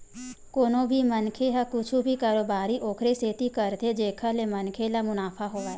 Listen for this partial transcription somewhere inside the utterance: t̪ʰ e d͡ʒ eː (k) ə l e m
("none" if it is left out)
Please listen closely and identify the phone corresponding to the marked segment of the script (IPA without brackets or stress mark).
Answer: kʰ